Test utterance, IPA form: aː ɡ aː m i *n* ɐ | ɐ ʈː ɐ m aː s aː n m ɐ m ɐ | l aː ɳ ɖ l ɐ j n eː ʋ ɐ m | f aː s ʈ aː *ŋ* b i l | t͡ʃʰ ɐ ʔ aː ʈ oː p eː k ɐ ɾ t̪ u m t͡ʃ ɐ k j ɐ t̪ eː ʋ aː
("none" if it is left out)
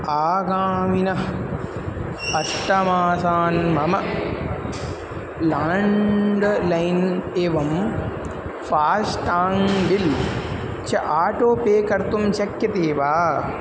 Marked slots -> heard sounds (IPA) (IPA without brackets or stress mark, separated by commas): n, ŋ